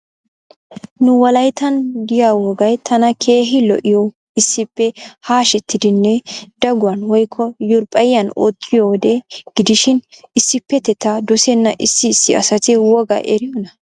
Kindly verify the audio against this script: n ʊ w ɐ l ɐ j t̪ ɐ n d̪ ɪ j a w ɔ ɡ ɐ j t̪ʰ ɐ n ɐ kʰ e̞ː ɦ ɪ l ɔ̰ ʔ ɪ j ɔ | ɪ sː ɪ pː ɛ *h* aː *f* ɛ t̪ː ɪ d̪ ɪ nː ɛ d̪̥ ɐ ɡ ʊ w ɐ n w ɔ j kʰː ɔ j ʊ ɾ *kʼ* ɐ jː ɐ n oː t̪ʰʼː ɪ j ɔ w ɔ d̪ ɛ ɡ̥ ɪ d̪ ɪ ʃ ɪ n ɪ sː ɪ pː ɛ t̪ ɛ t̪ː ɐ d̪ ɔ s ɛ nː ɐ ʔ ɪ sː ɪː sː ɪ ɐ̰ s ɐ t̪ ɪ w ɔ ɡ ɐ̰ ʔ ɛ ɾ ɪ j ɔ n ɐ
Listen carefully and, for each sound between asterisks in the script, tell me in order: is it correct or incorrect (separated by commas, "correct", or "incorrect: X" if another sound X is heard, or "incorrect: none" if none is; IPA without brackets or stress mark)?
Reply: correct, incorrect: ʃ, incorrect: pʼ